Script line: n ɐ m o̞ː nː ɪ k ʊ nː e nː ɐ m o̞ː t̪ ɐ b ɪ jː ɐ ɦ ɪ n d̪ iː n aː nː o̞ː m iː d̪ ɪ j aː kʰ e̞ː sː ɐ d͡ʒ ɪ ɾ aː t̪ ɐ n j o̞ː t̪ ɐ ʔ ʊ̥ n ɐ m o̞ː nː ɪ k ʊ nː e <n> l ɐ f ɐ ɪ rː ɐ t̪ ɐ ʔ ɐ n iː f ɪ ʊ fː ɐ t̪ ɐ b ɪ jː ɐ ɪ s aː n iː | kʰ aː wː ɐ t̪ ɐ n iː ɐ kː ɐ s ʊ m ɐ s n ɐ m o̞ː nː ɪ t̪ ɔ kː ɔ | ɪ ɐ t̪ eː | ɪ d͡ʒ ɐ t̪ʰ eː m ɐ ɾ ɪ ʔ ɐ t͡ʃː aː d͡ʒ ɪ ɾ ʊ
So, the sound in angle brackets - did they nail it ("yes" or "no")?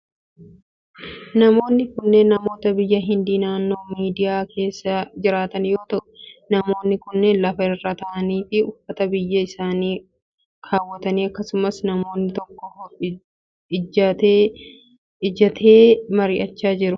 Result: yes